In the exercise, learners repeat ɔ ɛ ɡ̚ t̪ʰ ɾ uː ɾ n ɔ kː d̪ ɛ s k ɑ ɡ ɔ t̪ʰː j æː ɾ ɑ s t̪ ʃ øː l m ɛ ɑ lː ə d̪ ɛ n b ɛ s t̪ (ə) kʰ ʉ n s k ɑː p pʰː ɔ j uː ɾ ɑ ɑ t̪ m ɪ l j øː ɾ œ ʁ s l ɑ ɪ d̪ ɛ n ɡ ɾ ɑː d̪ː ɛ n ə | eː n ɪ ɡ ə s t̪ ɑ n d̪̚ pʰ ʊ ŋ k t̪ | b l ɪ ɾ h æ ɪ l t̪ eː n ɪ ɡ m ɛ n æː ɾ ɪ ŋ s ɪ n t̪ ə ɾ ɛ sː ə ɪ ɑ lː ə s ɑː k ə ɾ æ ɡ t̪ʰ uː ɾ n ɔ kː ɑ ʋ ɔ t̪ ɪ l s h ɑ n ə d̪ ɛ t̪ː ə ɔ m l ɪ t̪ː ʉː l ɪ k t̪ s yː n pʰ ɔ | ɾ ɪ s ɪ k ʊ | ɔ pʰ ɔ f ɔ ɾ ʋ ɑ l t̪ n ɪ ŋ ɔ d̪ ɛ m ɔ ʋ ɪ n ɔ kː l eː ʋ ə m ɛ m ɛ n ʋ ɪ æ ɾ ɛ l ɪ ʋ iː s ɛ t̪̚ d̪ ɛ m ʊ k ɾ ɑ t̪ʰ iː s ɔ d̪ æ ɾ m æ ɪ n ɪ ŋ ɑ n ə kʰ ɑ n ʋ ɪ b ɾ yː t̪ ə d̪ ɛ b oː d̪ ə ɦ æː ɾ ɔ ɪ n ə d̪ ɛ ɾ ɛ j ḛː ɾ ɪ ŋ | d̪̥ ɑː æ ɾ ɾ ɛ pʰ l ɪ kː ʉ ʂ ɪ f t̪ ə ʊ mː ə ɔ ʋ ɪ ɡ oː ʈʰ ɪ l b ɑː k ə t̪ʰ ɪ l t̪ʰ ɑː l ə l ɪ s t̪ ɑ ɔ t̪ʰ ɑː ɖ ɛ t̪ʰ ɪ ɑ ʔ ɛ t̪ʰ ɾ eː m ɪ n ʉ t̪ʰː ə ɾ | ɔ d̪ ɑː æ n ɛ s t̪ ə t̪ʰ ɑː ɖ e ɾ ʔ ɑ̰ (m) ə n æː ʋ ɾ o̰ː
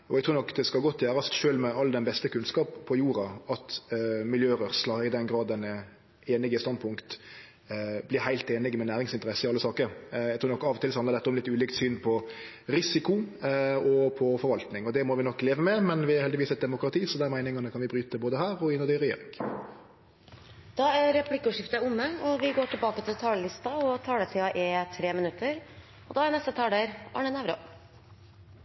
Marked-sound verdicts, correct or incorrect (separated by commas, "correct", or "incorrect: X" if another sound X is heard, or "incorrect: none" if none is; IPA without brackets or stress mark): correct, incorrect: ɳ